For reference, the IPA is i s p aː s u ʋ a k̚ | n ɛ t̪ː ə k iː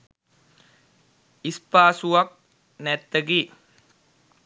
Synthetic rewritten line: i s p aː s u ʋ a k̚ | n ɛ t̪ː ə ɡ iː